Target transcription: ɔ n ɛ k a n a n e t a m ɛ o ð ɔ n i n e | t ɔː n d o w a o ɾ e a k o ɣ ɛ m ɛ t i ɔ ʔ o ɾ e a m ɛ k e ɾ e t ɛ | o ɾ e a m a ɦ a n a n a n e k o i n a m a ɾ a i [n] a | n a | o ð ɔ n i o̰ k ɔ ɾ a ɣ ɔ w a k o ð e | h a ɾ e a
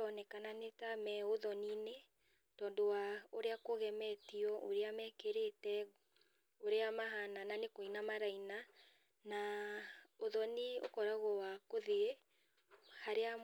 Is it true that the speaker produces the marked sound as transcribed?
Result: yes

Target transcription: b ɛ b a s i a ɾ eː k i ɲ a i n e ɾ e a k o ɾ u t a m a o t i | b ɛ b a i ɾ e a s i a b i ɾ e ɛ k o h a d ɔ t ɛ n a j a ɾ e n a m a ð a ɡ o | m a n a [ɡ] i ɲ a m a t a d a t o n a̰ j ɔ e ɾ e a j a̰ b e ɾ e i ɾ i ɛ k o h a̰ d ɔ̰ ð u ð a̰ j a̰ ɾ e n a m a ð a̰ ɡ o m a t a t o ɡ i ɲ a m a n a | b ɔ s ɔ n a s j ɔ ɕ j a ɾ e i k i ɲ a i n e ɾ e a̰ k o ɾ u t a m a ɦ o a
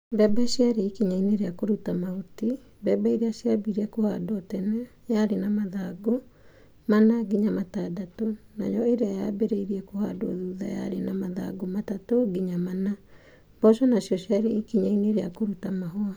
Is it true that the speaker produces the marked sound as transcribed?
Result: yes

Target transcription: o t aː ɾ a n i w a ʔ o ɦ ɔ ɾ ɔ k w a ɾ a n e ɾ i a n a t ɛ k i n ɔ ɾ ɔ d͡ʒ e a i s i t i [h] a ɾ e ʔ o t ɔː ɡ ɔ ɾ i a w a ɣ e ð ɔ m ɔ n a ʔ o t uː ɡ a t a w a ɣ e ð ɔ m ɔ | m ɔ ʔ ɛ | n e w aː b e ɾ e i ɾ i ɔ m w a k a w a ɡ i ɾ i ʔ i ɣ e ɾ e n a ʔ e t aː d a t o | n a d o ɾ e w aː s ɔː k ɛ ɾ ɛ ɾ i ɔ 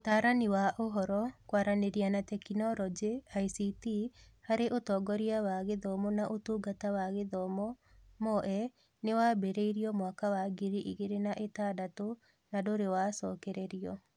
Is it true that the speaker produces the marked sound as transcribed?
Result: yes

